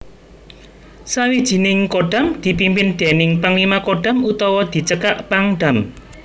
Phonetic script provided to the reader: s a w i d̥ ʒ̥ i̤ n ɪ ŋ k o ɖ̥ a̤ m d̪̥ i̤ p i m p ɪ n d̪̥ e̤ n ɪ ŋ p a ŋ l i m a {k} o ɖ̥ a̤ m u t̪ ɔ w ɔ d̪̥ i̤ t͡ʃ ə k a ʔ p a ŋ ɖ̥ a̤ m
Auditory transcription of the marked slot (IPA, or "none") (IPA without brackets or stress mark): k